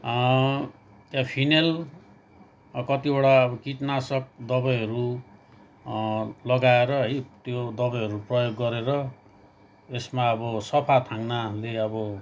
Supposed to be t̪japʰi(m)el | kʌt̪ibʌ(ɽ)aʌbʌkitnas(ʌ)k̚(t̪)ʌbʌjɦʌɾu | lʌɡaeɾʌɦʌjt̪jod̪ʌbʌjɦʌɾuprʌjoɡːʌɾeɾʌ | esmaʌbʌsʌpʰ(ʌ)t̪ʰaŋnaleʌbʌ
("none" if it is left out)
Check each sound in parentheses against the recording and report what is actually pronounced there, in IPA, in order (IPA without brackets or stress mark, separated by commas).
n, ɽ, ʌ, d̪, a